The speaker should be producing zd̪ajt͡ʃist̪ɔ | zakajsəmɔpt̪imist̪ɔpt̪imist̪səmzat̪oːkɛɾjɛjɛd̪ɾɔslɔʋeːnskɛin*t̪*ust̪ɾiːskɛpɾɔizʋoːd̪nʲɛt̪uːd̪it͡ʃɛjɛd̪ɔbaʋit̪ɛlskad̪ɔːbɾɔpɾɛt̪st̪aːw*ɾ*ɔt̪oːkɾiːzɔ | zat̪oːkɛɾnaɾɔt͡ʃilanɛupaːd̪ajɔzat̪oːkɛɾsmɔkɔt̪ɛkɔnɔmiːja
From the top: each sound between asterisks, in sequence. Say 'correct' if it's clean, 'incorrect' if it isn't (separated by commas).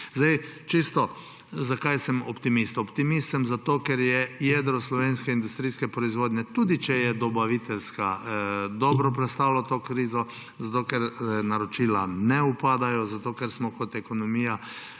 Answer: incorrect, incorrect